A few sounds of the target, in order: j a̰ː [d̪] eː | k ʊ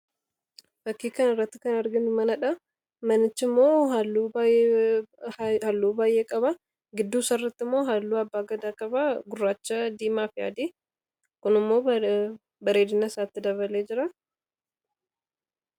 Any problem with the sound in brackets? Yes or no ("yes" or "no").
no